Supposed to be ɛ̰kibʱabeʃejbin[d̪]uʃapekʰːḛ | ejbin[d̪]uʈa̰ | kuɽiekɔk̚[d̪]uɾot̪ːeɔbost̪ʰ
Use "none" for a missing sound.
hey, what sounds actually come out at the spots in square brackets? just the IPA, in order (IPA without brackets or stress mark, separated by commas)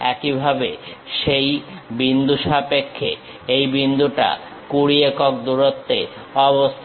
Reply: d̪, d̪, d̪